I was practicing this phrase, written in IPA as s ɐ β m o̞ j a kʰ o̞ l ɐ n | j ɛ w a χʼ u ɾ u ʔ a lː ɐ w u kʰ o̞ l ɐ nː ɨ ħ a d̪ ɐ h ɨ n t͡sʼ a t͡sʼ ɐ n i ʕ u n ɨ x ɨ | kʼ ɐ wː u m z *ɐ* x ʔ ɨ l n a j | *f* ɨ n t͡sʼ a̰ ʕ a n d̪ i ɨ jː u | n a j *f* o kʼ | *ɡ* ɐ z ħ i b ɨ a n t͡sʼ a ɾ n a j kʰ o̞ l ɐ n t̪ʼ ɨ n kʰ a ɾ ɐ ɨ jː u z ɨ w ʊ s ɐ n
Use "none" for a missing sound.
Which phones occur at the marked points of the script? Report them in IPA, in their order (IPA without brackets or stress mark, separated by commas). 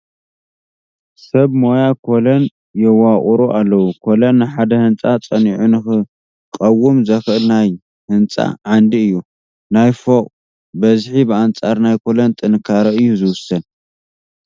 ɐ, h, f, b